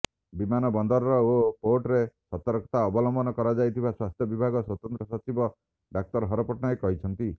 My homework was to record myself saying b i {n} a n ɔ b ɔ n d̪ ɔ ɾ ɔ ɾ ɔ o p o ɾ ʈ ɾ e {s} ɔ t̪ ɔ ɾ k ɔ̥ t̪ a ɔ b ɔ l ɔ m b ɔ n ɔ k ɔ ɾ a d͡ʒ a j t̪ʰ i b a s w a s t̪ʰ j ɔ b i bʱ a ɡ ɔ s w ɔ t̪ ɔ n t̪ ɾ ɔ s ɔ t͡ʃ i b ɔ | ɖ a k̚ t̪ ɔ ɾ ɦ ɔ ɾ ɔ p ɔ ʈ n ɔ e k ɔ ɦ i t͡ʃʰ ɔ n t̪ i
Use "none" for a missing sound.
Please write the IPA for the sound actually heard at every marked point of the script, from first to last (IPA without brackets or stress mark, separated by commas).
m, s